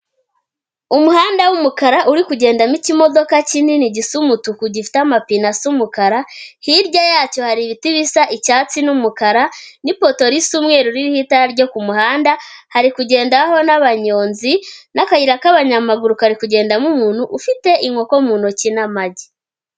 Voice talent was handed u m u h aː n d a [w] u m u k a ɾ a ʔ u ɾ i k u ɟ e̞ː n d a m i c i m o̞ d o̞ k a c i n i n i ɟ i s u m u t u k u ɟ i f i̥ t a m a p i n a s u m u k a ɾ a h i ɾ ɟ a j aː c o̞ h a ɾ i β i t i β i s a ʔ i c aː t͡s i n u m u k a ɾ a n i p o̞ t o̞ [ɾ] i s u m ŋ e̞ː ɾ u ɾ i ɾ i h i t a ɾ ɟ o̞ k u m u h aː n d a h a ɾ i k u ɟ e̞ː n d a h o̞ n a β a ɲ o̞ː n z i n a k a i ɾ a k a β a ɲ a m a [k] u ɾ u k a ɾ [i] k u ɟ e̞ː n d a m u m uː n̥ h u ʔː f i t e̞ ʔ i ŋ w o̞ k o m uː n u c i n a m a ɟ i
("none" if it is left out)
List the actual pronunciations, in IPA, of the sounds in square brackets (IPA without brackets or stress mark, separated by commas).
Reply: w, ɾ, ɡ, i